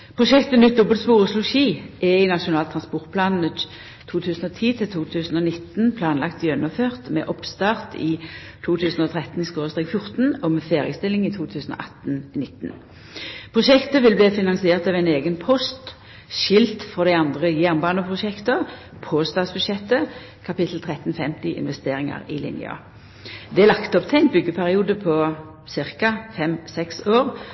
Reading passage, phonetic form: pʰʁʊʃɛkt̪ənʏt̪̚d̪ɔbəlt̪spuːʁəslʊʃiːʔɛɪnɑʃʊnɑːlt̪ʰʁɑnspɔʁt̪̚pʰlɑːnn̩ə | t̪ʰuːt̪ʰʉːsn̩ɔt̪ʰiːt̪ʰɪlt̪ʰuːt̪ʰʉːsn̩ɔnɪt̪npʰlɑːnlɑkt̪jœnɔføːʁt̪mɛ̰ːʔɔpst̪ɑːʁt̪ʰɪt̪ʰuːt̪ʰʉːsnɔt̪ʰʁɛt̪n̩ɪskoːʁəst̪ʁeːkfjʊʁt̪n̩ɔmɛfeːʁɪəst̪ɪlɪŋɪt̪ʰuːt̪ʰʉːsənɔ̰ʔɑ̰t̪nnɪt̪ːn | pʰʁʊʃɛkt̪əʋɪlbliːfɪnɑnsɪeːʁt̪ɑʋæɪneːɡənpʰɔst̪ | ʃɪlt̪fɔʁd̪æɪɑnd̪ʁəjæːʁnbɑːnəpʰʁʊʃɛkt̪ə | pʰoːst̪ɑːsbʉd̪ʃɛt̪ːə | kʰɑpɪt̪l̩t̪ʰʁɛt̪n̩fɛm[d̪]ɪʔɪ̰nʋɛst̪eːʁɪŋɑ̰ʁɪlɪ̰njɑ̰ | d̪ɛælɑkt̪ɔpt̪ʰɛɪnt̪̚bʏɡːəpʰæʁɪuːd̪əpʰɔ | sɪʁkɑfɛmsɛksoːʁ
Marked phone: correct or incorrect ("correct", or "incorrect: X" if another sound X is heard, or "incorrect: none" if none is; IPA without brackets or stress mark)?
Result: incorrect: t̪